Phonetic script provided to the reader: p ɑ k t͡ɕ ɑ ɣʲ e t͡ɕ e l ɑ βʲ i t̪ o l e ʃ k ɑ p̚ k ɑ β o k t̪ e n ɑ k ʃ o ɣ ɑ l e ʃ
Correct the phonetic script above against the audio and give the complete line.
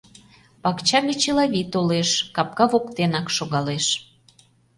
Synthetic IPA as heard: p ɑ k t͡ɕ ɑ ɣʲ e t͡ɕ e l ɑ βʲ i t̪ o l e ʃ k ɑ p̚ k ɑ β o k t̪ e n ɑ k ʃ o ɣ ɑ l e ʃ